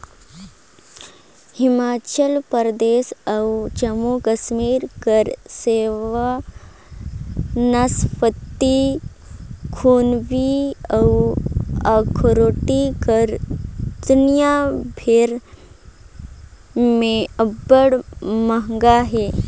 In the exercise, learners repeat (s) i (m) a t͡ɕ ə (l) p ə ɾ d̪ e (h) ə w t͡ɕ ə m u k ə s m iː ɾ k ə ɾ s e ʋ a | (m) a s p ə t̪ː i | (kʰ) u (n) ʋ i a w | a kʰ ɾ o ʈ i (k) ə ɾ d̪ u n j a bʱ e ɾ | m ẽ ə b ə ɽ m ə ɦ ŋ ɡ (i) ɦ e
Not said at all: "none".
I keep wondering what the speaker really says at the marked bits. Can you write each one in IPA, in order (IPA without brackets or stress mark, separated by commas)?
h, m, l, s, n, kʰ, n, k, a